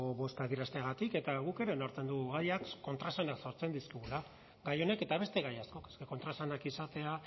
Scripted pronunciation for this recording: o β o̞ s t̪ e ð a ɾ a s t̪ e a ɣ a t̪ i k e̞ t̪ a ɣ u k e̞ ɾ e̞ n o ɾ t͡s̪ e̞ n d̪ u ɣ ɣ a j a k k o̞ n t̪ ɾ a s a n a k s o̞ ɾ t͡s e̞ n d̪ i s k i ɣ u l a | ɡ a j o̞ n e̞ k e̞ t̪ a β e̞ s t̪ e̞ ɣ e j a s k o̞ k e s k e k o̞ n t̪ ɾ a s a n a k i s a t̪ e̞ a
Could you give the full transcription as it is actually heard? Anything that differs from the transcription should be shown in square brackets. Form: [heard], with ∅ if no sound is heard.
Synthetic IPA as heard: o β o̞ s t̪ [a] ð [i] ɾ a s t̪ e a ɣ a t̪ i k e̞ t̪ a ɣ u k e̞ ɾ e̞ n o ɾ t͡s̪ e̞ n d̪ u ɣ ɣ a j a k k o̞ n t̪ ɾ a s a n a k s o̞ ɾ t͡s e̞ n d̪ i s k i ɣ u l a | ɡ a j o̞ n e̞ k e̞ t̪ a β e̞ s t̪ e̞ ɣ [a] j a s k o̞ k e s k e k o̞ n t̪ ɾ a s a n a k i s a t̪ e̞ a